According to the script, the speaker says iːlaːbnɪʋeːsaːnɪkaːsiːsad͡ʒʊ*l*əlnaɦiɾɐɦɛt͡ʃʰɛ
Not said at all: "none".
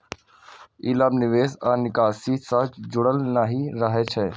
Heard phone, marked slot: ɽ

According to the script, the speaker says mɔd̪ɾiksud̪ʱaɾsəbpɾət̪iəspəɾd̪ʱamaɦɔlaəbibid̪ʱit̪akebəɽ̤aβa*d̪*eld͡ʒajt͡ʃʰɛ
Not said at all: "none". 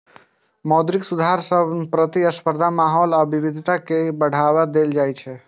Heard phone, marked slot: d̪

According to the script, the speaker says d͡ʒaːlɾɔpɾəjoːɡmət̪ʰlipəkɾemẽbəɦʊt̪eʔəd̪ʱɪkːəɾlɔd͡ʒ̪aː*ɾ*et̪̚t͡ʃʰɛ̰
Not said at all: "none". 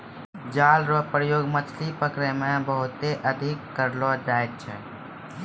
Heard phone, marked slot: none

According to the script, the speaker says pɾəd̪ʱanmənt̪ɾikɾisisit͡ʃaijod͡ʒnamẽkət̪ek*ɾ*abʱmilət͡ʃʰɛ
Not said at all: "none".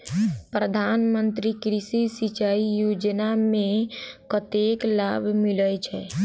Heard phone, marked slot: l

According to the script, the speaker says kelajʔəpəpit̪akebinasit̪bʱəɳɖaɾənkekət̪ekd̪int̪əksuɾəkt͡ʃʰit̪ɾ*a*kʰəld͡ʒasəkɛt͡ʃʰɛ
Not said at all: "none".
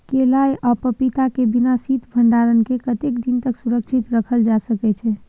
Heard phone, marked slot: ə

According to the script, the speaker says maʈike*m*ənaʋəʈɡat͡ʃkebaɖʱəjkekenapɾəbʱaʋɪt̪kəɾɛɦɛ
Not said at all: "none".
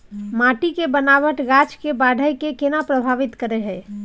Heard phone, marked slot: b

